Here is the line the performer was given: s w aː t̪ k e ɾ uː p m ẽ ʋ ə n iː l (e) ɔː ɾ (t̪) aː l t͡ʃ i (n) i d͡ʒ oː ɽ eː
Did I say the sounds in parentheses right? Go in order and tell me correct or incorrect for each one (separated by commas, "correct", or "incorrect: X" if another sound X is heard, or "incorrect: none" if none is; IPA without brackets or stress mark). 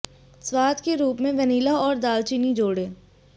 incorrect: a, incorrect: d̪, correct